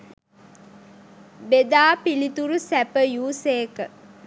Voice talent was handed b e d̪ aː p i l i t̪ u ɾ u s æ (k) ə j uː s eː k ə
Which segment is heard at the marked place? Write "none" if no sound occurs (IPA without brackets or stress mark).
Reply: p